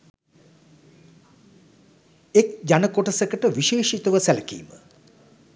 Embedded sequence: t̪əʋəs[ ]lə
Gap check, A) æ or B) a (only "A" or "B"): A